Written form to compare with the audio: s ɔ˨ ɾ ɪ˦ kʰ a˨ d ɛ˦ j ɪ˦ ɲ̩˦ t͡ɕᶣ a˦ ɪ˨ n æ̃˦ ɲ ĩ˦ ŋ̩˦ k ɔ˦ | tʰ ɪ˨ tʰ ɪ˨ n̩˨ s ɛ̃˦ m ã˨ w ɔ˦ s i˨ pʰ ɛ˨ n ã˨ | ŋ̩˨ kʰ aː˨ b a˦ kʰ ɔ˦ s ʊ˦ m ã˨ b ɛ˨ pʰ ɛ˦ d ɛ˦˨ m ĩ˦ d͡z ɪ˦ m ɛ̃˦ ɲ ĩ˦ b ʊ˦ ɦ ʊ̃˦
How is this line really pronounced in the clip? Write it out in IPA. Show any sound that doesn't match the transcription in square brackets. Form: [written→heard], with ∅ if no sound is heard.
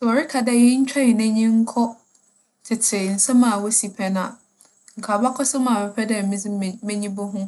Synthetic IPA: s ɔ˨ ɾ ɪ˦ kʰ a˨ d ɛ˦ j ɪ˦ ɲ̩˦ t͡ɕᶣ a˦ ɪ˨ n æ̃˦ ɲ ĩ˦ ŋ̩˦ [k→kʰ] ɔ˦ | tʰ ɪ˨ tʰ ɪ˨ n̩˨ s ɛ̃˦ m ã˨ w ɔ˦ s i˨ pʰ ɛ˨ n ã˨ | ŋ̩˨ kʰ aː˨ b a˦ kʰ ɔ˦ s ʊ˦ m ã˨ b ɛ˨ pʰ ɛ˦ d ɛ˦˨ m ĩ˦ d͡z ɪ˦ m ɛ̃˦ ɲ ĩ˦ b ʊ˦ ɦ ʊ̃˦